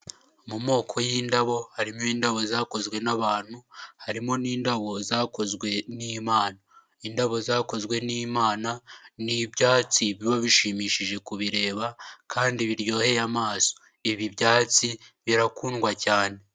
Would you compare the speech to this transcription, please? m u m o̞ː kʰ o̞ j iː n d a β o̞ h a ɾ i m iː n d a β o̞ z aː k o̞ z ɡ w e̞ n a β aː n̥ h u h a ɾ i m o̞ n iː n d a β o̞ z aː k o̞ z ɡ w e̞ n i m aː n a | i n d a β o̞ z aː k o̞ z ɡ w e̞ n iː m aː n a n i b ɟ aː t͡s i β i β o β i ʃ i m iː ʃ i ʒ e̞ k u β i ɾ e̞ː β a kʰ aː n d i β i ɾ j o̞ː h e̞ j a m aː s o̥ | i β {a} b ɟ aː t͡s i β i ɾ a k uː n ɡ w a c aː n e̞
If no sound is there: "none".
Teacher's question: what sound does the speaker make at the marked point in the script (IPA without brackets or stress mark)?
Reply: i